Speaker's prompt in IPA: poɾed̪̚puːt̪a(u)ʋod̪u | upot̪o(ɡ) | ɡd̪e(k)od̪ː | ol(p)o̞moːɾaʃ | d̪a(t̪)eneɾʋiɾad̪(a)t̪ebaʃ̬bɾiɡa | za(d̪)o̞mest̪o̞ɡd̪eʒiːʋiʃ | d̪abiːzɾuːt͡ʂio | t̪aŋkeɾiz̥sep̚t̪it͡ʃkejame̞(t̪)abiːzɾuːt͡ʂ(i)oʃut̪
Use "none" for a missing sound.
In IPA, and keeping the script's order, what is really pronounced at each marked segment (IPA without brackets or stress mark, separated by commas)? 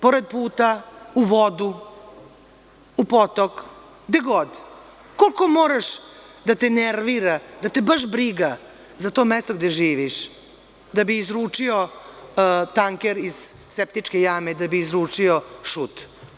u, k, ɡ, k, t̪, a, t̪, d̪, i